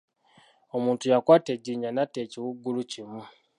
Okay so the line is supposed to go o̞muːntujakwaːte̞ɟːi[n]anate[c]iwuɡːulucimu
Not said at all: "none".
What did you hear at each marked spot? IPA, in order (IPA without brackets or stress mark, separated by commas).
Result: ɲ, c